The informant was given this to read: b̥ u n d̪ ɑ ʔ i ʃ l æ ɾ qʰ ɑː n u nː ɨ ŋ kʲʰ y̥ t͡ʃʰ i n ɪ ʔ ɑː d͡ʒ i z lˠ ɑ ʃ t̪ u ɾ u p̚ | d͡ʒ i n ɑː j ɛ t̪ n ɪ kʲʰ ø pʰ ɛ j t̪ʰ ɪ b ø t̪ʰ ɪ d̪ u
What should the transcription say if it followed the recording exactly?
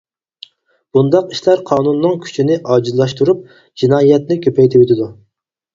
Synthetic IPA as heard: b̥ u n d̪ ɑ q i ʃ l æ ɾ qʰ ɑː n u nː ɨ ŋ kʲʰ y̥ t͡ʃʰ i n ɪ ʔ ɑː d͡ʒ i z lˠ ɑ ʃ t̪ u ɾ u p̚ | d͡ʒ i n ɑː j ɛ t̪ n ɪ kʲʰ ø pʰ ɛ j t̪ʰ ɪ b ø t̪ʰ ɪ d̪ u